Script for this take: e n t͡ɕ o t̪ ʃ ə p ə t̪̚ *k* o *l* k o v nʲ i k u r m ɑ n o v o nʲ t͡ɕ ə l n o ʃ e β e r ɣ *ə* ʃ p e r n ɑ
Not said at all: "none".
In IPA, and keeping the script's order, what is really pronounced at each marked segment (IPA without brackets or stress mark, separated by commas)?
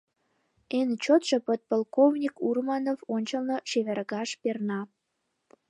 p, l, ɑ